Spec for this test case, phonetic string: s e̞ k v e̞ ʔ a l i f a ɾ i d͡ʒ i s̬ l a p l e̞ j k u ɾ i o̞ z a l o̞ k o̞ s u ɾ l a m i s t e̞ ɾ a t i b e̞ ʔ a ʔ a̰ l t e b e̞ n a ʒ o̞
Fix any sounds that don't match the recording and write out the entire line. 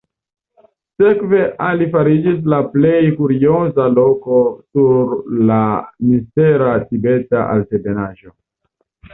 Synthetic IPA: s e̞ k v e̞ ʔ a l i f a ɾ i d͡ʒ i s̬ l a p l e̞ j k u ɾ i o̞ z a l o̞ k o̞ s u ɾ l a m i s t e̞ ɾ a t i b e̞ t a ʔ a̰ l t e b e̞ n a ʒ o̞